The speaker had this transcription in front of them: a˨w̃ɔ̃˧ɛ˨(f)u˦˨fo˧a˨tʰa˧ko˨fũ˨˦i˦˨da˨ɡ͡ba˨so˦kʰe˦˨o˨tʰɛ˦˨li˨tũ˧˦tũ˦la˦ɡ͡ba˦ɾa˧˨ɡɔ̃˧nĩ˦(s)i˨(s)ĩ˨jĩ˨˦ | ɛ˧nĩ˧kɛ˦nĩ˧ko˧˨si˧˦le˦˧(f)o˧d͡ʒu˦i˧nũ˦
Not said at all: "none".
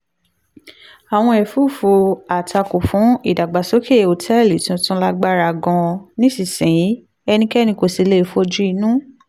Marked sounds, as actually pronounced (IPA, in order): f, s, s, f

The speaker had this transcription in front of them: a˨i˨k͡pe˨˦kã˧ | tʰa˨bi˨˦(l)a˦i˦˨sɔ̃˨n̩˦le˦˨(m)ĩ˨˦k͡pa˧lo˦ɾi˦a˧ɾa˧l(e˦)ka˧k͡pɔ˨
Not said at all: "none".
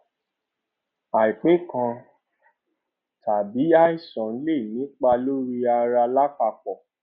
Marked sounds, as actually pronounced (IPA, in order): none, n, a˦

